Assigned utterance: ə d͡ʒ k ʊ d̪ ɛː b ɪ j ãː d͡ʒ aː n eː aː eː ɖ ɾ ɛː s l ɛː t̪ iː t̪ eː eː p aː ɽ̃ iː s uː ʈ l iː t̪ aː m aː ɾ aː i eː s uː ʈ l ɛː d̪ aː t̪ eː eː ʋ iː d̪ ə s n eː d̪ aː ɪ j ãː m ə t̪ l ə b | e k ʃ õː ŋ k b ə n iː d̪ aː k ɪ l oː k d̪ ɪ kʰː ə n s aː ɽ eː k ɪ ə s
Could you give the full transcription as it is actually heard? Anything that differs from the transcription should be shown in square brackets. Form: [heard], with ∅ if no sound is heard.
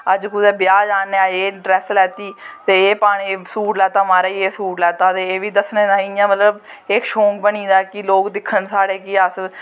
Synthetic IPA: ə d͡ʒ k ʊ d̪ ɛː b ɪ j [aː] d͡ʒ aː n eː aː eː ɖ ɾ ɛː s l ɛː t̪ iː t̪ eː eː p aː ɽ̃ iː s uː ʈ l [ɛː] t̪ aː m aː ɾ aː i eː s uː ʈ l ɛː [t̪] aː t̪ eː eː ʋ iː d̪ ə s n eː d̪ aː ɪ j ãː m ə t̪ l ə b | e k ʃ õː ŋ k b ə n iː d̪ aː k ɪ l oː k d̪ ɪ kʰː ə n s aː ɽ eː k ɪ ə s